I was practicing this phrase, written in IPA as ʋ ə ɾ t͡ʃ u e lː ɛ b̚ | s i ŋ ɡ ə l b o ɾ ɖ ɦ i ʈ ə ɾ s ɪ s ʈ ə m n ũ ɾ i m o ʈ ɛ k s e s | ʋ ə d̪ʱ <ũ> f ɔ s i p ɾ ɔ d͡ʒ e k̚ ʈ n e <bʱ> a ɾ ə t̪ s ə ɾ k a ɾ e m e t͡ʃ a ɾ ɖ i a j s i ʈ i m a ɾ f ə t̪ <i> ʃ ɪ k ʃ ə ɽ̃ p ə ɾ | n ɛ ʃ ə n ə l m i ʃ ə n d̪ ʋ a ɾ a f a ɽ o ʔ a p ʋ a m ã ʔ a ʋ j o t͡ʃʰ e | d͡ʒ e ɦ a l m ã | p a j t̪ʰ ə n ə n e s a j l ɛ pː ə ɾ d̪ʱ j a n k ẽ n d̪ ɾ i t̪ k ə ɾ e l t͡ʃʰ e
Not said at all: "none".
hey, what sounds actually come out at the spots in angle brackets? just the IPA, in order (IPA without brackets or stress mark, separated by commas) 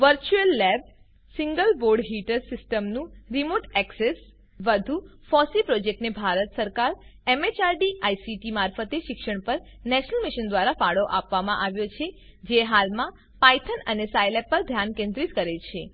u, bʱ, e